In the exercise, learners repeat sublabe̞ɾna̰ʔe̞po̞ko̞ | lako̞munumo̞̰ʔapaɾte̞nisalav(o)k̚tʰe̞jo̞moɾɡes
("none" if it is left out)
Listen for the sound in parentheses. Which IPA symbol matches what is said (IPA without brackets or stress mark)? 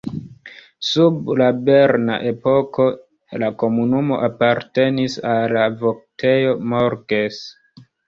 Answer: o